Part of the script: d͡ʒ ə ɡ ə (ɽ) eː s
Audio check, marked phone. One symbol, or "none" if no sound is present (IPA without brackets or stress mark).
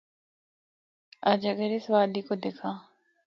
ɾ